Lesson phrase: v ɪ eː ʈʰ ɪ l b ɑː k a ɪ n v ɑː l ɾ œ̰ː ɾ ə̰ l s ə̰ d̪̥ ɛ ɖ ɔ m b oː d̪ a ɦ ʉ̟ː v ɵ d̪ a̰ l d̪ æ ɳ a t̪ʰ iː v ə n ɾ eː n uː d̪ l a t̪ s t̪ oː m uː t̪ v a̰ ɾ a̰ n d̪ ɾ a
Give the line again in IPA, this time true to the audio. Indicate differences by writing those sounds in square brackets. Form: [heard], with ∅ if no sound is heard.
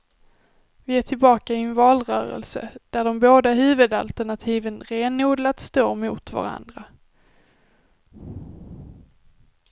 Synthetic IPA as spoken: v ɪ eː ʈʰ ɪ l b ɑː k a ɪ n v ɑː l ɾ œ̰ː ɾ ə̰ l s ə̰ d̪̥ [æ] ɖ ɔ m b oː d̪ a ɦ ʉ̟ː v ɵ d̪ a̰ l [t̪] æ ɳ a t̪ʰ iː v ə n ɾ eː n uː d̪ l a t̪ s t̪ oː m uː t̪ v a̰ ɾ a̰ n d̪ ɾ a

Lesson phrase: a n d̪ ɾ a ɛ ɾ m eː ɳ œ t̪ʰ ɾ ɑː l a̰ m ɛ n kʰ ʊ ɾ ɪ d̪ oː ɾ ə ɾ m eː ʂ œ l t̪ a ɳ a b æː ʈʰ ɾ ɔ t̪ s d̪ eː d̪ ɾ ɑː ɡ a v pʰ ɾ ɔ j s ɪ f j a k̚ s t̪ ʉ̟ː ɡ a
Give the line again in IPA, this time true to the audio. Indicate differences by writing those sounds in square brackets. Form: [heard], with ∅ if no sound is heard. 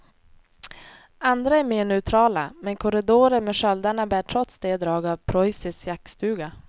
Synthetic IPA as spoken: a n d̪ ɾ a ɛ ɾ m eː ɳ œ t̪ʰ ɾ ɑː l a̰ m ɛ n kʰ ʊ ɾ ɪ d̪ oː ɾ ə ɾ m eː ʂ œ l [d̪] a ɳ a b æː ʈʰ ɾ ɔ t̪ s d̪ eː d̪ ɾ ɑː ɡ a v pʰ ɾ ɔ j s ɪ [s] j a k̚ s t̪ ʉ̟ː ɡ a

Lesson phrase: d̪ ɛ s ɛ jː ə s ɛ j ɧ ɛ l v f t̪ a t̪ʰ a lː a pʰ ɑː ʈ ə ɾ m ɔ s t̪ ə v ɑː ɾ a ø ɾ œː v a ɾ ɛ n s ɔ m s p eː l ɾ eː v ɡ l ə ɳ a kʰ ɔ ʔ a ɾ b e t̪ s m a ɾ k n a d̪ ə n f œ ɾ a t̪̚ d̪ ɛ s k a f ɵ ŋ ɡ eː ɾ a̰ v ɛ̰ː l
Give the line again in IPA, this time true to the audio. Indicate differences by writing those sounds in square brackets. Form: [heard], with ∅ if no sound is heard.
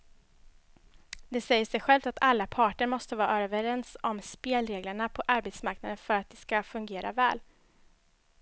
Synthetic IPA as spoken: d̪ ɛ s ɛ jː ə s ɛ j ɧ ɛ l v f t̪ a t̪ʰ a lː a pʰ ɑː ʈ ə ɾ m ɔ s t̪ ə v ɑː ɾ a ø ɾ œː v [ə] ɾ ɛ n s ɔ m s p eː l ɾ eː [∅] ɡ l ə ɳ a [pʰ] ɔ ʔ a ɾ b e t̪ s m a ɾ k n a d̪ ə n f œ ɾ a t̪̚ d̪ ɛ s k a f ɵ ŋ ɡ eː ɾ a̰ v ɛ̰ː l

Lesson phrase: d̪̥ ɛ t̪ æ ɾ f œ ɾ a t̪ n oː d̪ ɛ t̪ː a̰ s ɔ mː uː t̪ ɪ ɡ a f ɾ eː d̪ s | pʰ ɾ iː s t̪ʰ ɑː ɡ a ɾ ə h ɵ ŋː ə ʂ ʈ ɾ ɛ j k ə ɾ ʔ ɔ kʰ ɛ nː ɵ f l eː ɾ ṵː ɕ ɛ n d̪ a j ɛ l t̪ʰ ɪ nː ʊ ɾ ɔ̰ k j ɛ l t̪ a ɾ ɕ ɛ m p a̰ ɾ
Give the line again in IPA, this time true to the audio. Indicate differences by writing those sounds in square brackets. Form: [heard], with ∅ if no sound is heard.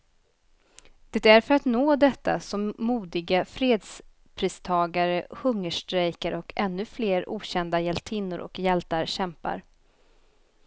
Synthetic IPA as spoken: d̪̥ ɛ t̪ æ ɾ f œ ɾ a t̪ n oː d̪ ɛ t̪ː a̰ s ɔ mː uː [d̪] ɪ ɡ a f ɾ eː d̪ s | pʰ ɾ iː s t̪ʰ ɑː ɡ a ɾ ə h ɵ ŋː ə ʂ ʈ ɾ ɛ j k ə ɾ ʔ ɔ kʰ ɛ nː ɵ f l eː ɾ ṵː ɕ ɛ n d̪ a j ɛ l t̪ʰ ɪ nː ʊ ɾ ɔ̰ k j ɛ l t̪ a ɾ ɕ ɛ m p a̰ ɾ

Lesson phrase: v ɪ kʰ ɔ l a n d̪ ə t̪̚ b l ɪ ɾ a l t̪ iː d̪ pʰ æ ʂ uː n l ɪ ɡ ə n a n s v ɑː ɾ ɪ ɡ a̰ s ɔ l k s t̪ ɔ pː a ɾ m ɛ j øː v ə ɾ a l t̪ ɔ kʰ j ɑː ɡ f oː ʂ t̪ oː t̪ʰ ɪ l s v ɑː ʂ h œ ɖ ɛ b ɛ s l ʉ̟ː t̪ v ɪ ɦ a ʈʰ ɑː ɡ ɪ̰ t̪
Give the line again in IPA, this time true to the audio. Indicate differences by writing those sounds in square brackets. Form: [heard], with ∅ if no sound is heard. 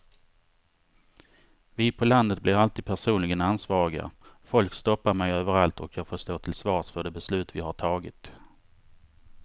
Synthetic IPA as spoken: v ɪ [pʰ] ɔ l a n d̪ ə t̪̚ b l ɪ ɾ a l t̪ iː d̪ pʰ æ ʂ uː n l ɪ ɡ ə n a n s v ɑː ɾ ɪ ɡ a̰ [f] ɔ l k s t̪ ɔ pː a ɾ m ɛ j øː v ə ɾ a l t̪ ɔ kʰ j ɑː ɡ f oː ʂ t̪ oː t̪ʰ ɪ l s v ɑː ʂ [f] œ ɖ ɛ b ɛ s l ʉ̟ː t̪ v ɪ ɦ a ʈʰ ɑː ɡ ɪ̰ t̪

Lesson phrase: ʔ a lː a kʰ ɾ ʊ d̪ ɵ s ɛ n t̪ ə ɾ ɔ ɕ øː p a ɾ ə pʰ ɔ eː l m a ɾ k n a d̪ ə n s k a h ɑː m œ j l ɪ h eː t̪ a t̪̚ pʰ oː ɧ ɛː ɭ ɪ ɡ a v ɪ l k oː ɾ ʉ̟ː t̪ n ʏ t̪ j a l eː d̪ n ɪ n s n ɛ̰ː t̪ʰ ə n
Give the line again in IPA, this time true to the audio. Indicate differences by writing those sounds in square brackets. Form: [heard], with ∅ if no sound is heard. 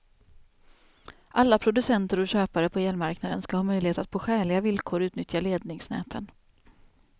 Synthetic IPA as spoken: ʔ a lː a [pʰ] ɾ ʊ d̪ ɵ s ɛ n t̪ ə ɾ ɔ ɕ øː p a ɾ ə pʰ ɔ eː l m a ɾ k n a d̪ ə n s k a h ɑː m œ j l ɪ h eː t̪ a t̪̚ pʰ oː ɧ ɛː ɭ ɪ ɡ a v ɪ l [kʰ] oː ɾ ʉ̟ː t̪ n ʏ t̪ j a l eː d̪ n ɪ [ŋ] s n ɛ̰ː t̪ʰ ə n

